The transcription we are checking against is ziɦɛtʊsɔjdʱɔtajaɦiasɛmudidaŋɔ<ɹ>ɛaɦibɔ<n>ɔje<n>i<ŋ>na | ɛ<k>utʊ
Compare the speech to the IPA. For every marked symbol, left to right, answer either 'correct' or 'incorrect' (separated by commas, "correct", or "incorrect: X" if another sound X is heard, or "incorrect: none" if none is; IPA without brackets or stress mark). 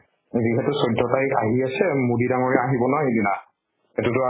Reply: correct, correct, incorrect: d, incorrect: none, incorrect: t